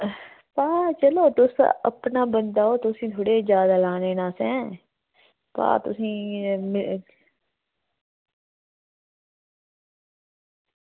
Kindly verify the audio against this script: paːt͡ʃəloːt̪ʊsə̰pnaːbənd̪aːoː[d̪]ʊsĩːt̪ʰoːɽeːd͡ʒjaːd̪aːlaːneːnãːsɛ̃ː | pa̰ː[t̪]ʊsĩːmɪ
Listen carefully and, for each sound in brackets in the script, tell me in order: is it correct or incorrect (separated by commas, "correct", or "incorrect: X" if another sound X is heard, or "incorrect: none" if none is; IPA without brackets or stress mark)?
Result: incorrect: t̪, correct